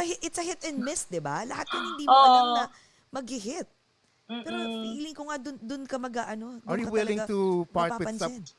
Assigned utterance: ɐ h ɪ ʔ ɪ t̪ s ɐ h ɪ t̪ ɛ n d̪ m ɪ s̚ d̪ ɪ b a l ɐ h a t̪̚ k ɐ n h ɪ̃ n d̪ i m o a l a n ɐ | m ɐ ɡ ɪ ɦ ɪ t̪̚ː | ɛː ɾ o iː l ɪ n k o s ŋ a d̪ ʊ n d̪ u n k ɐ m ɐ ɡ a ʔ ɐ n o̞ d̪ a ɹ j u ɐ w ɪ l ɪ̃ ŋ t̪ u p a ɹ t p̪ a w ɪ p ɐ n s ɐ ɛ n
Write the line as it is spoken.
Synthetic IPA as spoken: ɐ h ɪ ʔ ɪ t̪ s ɐ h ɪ t̪ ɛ n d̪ m ɪ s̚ d̪ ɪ b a l ɐ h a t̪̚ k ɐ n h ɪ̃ n d̪ i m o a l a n ɐ | m ɐ ɡ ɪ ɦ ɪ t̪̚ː | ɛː ɾ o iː l ɪ ŋ k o ŋ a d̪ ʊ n d̪ ʊ n k ɐ m ɐ ɡ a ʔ ɐ n o̞ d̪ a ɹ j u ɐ w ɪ l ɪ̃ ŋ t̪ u p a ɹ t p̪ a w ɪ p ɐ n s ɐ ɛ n